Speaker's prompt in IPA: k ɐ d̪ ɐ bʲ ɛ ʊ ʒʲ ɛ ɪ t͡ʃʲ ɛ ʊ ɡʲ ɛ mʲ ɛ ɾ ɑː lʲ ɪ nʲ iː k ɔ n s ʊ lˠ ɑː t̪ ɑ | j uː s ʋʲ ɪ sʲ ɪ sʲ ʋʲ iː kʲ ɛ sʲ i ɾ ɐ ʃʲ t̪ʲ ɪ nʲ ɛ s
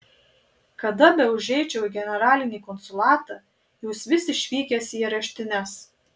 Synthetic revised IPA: k ɐ d̪ ɐ bʲ ɛ ʊ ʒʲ ɛ ɪ t͡ʃʲ ɛ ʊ ɡʲ ɛ nʲ ɛ ɾ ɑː lʲ ɪ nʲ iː k ɔ n s ʊ lˠ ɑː t̪ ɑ | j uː s ʋʲ ɪ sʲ ɪ ʃʲ ʋʲ iː kʲ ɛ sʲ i ɾ ɐ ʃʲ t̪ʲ ɪ nʲ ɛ s